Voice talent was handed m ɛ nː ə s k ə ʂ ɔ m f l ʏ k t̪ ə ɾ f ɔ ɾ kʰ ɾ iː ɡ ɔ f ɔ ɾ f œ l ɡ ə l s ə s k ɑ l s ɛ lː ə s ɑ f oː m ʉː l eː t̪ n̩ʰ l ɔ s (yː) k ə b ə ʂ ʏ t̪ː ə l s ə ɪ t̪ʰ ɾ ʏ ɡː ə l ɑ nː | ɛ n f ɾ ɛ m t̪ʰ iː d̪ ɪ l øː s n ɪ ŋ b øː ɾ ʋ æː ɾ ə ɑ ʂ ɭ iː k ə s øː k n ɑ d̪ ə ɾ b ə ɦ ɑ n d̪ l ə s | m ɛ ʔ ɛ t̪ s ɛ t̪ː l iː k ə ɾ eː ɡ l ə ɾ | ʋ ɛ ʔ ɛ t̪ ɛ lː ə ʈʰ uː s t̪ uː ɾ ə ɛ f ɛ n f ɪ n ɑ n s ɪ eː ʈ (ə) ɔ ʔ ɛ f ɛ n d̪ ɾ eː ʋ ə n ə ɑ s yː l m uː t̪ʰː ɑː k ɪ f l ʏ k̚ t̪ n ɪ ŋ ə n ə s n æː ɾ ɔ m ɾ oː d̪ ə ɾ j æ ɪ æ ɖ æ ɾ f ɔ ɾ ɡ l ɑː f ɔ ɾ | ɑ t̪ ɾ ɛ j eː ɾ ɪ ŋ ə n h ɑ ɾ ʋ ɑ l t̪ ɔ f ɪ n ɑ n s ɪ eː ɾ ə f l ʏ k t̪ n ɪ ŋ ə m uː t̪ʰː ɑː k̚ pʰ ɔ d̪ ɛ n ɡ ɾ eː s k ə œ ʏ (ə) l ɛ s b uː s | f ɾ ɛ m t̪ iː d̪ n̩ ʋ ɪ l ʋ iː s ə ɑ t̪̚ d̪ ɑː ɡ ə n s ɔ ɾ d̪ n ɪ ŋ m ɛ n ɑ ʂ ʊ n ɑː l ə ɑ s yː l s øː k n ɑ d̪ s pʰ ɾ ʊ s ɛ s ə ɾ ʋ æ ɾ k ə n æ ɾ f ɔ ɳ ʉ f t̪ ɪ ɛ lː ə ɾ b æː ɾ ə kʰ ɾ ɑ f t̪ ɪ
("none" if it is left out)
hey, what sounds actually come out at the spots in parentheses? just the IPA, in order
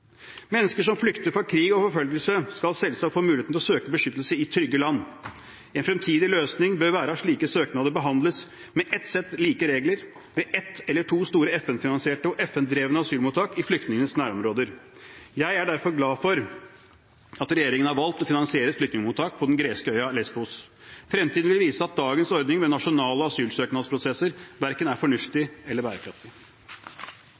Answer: øː, ə, ɑ

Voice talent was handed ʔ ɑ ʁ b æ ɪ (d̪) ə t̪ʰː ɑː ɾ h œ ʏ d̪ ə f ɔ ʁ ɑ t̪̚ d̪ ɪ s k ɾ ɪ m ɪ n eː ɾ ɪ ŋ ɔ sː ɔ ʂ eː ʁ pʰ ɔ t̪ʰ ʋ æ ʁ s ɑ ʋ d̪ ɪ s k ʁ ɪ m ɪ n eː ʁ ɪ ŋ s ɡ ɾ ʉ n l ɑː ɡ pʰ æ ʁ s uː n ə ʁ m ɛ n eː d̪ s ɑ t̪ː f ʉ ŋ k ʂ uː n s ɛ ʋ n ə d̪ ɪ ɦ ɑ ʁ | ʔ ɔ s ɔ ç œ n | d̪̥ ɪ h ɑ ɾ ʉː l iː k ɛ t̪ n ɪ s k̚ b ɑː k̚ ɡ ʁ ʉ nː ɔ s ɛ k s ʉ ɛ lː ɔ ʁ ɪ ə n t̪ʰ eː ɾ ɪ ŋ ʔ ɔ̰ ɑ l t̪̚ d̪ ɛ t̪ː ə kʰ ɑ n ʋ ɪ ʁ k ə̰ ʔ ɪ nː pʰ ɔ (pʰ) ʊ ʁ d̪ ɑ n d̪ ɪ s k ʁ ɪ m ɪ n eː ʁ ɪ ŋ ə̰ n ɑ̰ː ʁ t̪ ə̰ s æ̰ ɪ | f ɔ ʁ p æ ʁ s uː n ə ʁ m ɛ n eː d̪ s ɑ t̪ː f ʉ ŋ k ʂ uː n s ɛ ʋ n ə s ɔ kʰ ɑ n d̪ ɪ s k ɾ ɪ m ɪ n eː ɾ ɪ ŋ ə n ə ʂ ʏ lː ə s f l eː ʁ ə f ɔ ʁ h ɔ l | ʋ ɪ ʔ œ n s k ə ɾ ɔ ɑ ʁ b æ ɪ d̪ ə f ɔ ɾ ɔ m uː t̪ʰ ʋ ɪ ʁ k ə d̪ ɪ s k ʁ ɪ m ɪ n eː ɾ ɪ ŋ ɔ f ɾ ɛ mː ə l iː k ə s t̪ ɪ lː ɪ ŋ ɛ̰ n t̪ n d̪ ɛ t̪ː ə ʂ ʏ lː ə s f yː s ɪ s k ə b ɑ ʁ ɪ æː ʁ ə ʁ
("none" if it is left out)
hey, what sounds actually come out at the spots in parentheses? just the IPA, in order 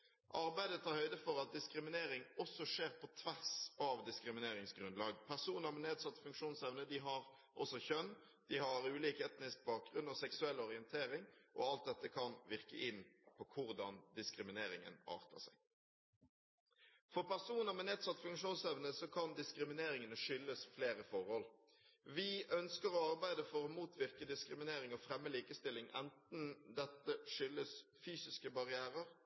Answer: d̪, kʰ

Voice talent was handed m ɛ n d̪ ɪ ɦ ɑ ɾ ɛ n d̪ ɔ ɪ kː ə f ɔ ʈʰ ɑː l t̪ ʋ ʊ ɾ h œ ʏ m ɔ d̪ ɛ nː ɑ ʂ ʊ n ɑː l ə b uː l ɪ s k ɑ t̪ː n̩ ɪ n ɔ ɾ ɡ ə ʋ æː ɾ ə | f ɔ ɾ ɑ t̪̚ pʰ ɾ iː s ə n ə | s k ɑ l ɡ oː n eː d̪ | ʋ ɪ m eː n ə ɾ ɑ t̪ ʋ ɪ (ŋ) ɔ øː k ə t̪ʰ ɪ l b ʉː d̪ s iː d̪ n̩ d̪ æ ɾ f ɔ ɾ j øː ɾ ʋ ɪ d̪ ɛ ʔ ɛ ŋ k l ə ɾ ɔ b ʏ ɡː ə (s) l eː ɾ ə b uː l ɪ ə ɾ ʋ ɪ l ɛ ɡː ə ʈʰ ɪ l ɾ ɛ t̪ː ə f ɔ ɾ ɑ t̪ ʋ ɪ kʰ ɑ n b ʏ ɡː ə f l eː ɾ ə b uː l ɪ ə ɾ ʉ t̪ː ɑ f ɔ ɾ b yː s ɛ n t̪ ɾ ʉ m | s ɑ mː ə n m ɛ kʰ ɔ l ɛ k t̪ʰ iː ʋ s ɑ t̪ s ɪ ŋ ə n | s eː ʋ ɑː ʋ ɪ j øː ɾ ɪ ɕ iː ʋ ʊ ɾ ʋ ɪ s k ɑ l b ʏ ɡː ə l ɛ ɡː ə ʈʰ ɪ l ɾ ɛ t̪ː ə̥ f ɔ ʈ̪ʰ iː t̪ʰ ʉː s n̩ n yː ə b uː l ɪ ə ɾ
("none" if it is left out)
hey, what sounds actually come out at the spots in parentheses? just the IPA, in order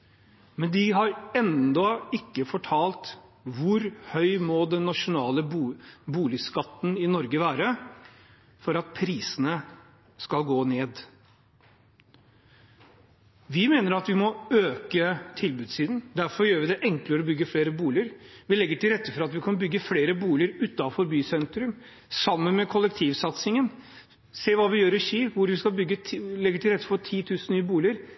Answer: m, f

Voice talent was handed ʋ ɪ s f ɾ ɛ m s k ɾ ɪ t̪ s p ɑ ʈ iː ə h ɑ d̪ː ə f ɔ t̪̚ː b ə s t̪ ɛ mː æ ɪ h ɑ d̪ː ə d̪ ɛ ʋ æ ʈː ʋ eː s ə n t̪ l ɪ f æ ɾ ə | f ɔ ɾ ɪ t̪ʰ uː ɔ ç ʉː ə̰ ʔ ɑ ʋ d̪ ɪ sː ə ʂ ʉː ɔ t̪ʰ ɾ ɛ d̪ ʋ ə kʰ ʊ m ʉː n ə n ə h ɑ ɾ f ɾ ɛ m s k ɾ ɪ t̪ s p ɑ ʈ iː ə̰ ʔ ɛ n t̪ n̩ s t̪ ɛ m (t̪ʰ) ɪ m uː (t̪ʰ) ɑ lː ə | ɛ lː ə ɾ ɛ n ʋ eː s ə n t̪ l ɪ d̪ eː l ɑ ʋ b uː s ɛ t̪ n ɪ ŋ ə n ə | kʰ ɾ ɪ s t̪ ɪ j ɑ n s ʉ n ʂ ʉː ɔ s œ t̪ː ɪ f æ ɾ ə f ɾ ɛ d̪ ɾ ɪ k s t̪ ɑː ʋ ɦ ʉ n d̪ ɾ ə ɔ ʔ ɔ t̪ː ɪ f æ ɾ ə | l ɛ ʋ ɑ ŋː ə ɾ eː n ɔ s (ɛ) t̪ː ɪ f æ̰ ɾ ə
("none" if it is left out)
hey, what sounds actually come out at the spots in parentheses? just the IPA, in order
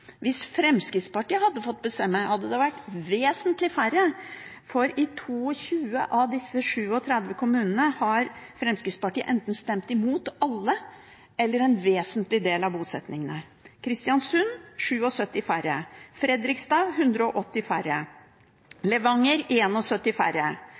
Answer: t̪, t̪, œ

